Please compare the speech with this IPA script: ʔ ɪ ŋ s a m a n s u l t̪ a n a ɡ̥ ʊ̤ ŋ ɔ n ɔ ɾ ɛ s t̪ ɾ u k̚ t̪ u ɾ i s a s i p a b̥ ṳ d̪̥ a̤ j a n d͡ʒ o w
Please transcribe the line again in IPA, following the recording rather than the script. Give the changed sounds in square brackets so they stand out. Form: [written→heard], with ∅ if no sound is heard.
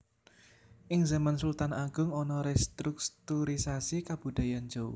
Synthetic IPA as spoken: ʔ ɪ ŋ [s→z] a m a n s u l t̪ a n a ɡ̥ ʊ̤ ŋ ɔ n ɔ ɾ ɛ s t̪ ɾ u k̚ t̪ u ɾ i s a s i [p→k] a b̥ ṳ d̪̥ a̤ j a n d͡ʒ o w